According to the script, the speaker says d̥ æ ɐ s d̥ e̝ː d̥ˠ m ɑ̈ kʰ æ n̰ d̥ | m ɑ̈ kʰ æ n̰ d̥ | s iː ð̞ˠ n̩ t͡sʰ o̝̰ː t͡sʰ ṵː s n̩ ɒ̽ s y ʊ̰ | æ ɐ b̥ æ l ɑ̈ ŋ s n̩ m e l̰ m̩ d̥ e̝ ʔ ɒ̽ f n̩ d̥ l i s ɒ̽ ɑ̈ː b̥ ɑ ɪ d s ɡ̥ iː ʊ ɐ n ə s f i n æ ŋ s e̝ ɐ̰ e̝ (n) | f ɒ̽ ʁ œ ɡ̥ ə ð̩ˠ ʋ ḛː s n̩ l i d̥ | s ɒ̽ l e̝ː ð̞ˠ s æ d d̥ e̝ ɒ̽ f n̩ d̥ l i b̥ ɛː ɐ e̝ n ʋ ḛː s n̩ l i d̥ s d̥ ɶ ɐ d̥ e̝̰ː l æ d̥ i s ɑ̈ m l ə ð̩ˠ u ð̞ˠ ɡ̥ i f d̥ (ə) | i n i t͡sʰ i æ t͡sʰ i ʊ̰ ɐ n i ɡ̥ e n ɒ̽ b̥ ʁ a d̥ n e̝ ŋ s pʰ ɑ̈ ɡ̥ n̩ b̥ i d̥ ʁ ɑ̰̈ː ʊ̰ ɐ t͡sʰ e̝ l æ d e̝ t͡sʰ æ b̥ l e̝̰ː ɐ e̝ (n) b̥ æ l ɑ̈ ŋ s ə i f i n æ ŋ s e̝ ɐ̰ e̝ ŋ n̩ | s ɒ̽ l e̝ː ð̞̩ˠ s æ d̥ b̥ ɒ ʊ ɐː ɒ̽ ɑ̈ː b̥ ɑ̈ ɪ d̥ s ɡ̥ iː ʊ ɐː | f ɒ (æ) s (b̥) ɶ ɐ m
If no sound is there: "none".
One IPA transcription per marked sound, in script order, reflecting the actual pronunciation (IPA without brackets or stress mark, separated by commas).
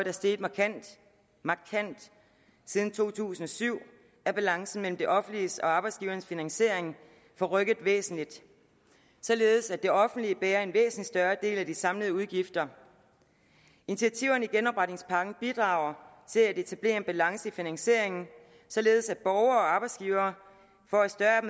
ŋ, ɐ, n, æ, d̥